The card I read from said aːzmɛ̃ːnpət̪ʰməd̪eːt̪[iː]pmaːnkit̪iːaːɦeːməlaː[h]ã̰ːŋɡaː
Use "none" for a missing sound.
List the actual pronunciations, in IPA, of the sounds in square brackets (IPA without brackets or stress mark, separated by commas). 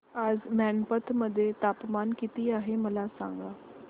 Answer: aː, s